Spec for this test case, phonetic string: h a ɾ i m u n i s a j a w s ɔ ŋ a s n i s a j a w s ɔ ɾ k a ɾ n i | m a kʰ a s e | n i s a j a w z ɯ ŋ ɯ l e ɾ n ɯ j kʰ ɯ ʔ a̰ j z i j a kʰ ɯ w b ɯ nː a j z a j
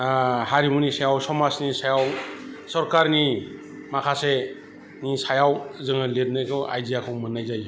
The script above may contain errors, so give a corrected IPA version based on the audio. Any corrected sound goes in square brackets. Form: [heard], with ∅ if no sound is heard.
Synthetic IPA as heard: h a ɾ i m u n i s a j a w s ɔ [m] a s n i s a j a w s ɔ ɾ k a ɾ n i | m a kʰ a s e | n i s a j a w z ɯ ŋ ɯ l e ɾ n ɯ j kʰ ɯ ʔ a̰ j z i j a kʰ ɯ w [m] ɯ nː a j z a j